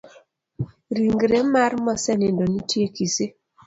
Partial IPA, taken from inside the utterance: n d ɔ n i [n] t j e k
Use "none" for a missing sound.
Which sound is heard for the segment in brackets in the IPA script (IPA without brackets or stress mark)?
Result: none